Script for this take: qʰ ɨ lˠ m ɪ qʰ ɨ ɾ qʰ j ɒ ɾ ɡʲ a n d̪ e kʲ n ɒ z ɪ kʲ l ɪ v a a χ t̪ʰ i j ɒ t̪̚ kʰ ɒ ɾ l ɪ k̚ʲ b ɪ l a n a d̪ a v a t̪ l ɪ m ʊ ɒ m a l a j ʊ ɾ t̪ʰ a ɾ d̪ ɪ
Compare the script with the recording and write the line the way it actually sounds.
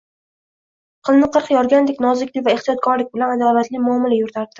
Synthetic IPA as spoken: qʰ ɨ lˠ n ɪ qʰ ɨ ɾ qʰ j ɒ ɾ ɡʲ a n d̪ e kʲ n ɒ z ɪ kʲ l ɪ v a e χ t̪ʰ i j ɒ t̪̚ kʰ ɒ ɾ l ɪ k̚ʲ b ɪ l a n a d̪ a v a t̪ l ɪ m ʊ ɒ m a l a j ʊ ɾ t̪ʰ a ɾ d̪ ɪ